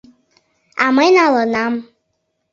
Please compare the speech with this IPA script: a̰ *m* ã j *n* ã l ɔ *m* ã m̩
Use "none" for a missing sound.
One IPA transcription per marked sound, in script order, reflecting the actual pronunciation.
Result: m, n, n

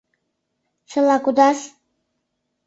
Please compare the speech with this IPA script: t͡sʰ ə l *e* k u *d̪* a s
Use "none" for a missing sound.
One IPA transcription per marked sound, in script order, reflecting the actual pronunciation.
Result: a, d̪

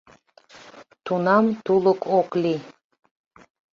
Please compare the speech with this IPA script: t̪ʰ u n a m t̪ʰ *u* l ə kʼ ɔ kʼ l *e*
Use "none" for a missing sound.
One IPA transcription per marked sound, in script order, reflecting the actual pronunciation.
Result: u, i

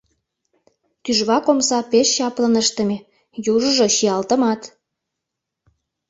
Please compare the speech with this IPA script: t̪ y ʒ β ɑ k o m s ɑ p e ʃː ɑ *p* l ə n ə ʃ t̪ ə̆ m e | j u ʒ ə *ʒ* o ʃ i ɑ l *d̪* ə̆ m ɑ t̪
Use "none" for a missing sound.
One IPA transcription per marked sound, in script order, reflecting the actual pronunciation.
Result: p, ʒ, t̪

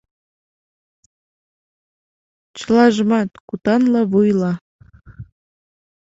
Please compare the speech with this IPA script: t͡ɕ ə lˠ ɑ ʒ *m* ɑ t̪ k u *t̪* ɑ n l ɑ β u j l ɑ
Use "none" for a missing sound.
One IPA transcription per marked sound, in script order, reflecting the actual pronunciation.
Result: m, t̪

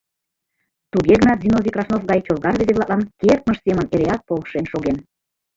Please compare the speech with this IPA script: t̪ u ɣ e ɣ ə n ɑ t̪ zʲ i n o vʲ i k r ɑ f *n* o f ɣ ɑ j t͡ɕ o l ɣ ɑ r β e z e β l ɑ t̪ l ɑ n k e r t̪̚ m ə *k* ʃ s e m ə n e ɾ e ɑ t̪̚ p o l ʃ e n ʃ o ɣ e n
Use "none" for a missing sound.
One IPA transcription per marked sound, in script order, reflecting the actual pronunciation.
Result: n, none

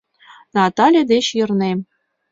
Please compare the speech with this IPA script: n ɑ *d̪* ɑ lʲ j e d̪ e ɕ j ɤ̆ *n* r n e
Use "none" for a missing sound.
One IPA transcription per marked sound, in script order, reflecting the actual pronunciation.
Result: t̪, none

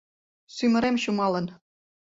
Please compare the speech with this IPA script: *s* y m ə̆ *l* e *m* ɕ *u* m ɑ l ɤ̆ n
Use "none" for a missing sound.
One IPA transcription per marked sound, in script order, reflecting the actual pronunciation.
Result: s, ɾ, m, u

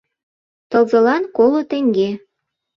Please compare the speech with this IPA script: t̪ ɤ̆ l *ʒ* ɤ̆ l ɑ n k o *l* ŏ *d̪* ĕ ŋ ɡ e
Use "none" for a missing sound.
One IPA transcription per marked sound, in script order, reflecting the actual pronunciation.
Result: z, l, t̪

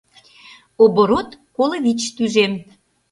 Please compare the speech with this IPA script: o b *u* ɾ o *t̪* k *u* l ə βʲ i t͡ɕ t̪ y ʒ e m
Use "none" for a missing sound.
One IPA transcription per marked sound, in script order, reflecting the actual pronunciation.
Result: o, t̪, o

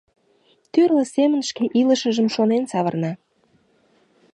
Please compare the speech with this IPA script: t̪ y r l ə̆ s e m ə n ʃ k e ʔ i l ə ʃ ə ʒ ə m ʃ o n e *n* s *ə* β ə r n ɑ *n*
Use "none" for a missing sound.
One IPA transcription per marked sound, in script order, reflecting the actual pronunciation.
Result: n, ɑ, none

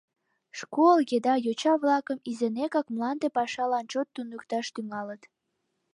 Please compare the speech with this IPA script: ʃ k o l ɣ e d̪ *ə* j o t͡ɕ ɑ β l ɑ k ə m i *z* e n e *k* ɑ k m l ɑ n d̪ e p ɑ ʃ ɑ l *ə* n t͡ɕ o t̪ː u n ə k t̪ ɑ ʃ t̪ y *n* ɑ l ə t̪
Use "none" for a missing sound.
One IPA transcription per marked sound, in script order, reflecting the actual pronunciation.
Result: ɑ, z, k, ɑ, ŋ

